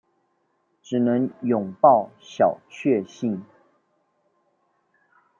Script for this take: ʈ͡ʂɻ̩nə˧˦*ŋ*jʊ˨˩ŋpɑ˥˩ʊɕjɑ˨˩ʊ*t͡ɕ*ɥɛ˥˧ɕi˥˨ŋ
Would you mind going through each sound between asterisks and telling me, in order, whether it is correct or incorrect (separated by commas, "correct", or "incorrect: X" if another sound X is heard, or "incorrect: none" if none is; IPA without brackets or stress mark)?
correct, incorrect: t͡ɕʰ